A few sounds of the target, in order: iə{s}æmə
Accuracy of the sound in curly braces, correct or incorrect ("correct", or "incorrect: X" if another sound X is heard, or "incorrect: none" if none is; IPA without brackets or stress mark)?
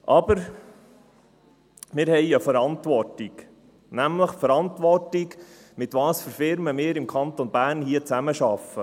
incorrect: t͡s